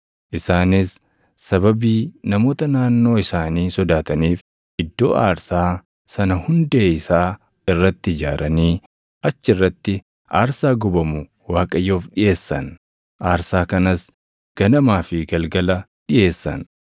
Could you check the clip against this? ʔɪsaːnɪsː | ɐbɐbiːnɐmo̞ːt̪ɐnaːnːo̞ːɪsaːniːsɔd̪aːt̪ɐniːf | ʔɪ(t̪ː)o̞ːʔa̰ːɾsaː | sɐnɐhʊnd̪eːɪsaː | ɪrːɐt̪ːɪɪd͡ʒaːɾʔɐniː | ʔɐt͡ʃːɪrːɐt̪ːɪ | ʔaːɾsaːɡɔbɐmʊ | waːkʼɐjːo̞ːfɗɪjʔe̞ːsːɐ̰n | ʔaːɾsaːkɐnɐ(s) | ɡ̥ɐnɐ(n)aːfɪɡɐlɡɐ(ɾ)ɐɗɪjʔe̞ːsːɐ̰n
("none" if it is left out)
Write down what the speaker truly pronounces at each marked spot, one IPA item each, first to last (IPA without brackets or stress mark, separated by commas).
d̪ː, s, m, l